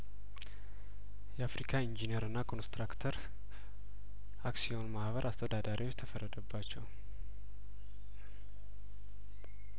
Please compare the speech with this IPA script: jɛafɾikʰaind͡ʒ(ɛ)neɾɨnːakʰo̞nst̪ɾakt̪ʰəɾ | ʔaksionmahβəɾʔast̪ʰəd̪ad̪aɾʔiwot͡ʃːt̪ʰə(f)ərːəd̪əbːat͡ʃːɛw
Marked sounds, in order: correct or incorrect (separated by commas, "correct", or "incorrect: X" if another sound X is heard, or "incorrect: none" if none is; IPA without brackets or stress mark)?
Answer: incorrect: i, correct